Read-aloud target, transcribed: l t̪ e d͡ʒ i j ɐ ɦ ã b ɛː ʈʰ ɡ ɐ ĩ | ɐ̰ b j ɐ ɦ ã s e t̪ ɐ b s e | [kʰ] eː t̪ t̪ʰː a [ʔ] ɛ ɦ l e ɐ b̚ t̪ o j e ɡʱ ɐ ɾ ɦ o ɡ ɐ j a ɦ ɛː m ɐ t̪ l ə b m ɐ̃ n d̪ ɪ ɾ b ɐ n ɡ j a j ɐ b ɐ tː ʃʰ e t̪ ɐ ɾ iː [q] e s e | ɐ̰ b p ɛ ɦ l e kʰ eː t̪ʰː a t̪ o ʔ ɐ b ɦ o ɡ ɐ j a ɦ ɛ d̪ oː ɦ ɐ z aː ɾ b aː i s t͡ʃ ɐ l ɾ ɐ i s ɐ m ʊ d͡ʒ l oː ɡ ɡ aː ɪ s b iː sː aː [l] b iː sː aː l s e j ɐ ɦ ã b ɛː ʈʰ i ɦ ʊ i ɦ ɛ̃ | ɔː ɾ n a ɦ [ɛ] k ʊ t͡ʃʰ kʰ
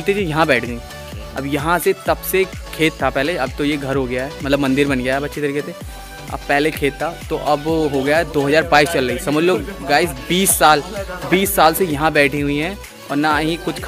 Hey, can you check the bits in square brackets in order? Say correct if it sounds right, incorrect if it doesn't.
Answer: correct, incorrect: p, incorrect: k, correct, incorrect: i

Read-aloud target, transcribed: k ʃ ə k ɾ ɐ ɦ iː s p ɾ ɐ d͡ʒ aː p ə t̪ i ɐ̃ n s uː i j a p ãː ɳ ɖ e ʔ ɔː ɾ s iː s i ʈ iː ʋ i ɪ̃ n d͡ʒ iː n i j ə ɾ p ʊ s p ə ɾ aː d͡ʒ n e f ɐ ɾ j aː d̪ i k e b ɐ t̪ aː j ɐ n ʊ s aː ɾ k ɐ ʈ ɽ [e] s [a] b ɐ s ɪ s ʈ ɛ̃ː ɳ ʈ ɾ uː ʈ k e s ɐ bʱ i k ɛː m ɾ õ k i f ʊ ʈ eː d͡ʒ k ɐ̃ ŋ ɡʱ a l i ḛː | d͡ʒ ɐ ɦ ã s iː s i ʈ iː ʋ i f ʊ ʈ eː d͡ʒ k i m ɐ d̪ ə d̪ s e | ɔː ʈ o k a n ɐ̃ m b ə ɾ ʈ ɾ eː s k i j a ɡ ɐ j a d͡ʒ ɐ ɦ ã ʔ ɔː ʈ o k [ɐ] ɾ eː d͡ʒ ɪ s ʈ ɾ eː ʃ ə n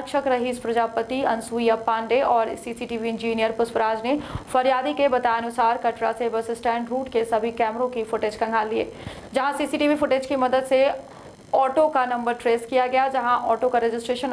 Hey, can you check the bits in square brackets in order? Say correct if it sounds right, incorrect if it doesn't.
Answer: incorrect: a, incorrect: e, incorrect: a

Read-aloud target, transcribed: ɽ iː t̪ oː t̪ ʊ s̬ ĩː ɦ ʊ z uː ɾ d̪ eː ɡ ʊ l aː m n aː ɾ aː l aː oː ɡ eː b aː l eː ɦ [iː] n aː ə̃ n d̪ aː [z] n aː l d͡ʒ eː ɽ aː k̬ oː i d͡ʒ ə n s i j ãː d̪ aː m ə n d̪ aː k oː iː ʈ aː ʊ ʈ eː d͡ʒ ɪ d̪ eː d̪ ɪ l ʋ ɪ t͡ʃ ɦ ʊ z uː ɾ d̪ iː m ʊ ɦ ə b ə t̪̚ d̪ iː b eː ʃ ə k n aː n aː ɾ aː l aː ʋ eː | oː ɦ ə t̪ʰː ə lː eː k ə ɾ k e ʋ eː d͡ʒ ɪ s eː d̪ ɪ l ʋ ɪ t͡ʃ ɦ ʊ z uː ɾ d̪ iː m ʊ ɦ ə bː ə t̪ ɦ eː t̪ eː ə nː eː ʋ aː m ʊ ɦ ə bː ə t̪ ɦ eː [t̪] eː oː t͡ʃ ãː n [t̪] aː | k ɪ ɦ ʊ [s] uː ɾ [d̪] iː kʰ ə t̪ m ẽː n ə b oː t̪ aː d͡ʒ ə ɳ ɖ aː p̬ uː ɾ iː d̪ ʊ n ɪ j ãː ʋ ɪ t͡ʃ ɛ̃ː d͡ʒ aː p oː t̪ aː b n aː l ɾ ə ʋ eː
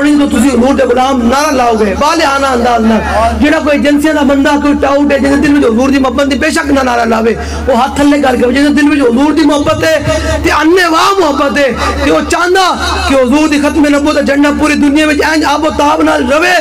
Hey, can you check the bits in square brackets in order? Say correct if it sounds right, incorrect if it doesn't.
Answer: incorrect: aː, correct, correct, incorrect: d̪, incorrect: z, correct

